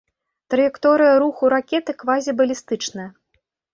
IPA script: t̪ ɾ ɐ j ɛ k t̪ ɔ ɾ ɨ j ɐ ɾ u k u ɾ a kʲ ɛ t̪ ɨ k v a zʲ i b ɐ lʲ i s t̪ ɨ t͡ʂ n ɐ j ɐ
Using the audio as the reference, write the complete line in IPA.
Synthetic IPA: t̪ ɾ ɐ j ɛ k t̪ ɔ ɾ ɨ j ɐ ɾ u x u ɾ a kʲ ɛ t̪ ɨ k v a zʲ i b ɐ lʲ i s t̪ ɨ t͡ʂ n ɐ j ɐ